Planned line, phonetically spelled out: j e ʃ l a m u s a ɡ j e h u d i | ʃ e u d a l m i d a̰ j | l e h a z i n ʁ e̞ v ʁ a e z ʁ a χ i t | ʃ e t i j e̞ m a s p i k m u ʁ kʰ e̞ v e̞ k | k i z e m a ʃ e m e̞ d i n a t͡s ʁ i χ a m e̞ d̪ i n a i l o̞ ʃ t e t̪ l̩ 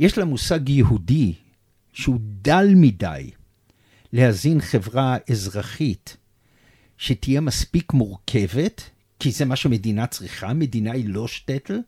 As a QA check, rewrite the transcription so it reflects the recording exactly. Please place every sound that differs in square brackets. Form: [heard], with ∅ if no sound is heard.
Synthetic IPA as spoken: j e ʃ l a m u s a ɡ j e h u d i | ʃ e u d a l m i d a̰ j | l e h a z i n [χ] e̞ v ʁ a e z ʁ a χ i t | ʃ e t i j e̞ m a s p i k m u ʁ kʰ e̞ v e̞ [t] | k i z e m a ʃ e m e̞ d i n a t͡s ʁ i χ a m e̞ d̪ i n a i l o̞ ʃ t e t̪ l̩